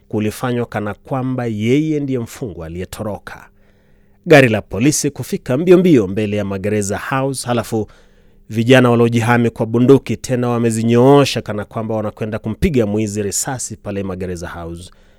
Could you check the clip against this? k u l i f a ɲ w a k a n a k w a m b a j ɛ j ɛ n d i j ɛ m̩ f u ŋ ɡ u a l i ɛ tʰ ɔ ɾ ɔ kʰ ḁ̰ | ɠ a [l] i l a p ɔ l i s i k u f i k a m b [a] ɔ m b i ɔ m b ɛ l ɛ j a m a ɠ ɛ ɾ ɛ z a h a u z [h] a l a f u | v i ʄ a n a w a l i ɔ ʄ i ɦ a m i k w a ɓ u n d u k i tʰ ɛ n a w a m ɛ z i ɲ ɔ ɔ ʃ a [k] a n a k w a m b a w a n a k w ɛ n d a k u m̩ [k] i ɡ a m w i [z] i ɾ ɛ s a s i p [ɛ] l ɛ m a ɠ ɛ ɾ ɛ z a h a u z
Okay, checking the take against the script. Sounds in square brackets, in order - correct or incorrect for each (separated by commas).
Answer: incorrect, incorrect, correct, correct, incorrect, correct, incorrect